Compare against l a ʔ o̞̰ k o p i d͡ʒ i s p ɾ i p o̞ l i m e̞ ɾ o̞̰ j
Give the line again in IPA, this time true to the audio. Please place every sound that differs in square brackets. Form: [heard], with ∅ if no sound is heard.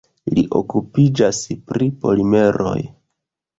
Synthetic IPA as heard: l [i] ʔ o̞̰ k [u] p i d͡ʒ [a] s p ɾ i p o̞ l i m e̞ ɾ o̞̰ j